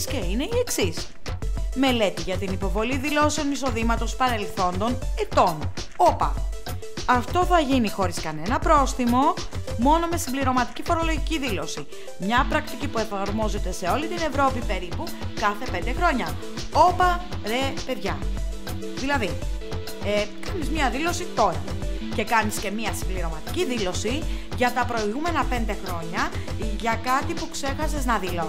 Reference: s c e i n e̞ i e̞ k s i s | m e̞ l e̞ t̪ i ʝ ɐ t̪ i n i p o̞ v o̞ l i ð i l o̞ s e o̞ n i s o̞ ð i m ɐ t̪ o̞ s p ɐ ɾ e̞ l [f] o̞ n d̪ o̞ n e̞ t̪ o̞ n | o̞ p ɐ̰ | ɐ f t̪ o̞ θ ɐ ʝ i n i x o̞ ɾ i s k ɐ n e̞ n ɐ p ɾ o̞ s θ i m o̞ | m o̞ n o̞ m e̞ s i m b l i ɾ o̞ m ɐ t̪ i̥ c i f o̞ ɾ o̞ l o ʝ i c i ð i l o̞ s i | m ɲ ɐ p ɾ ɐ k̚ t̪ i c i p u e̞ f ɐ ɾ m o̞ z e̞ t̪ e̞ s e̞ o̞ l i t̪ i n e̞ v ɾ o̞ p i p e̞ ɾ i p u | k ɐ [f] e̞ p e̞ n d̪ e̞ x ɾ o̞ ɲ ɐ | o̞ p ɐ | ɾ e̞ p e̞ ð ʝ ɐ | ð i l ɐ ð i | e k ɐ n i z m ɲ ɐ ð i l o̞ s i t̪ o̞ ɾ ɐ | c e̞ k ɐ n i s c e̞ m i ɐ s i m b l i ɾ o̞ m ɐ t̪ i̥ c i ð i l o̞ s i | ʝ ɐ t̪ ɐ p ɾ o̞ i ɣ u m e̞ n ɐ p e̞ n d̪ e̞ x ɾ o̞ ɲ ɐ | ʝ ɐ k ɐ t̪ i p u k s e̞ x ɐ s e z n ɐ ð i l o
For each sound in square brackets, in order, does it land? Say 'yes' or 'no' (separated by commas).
no, no